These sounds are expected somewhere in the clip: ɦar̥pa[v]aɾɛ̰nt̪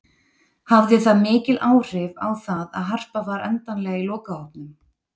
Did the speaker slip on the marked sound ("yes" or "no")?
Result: no